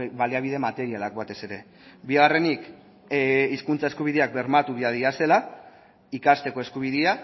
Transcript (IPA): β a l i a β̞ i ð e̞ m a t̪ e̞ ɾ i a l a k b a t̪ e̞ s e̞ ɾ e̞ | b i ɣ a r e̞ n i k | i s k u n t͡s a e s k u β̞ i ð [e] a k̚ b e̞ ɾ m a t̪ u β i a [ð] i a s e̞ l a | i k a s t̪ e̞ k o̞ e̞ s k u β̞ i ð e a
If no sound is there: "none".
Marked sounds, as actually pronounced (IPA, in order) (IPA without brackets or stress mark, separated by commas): e, ð